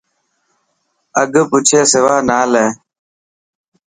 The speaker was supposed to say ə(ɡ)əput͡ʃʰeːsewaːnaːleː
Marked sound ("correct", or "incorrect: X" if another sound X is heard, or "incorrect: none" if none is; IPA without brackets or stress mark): correct